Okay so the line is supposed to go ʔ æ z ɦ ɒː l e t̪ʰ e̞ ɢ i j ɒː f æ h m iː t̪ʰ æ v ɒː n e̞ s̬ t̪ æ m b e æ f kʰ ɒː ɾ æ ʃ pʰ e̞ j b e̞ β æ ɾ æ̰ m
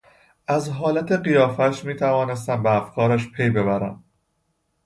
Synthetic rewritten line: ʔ æ z ɦ ɒː l æ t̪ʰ e̞ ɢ i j ɒː f æ ʃ m iː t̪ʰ æ v ɒː n e̞ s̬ t̪ æ m b e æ f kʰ ɒː ɾ æ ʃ pʰ e̞ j b e̞ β æ ɾ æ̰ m